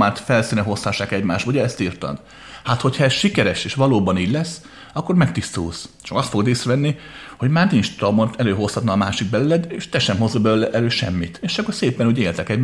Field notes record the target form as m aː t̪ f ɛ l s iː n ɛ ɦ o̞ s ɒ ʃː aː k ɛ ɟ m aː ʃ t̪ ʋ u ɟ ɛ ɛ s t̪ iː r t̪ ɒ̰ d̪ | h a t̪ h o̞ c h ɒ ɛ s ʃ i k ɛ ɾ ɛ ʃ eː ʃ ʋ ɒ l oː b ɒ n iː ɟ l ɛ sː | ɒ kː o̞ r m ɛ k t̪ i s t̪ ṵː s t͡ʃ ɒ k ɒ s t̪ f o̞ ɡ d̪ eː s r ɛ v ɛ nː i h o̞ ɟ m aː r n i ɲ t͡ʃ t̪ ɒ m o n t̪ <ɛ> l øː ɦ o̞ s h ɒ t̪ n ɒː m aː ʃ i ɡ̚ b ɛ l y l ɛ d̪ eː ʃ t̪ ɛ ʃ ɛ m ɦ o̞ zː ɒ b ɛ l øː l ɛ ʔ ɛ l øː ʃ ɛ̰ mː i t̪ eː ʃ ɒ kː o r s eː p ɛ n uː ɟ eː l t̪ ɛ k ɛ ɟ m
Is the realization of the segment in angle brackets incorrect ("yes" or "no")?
no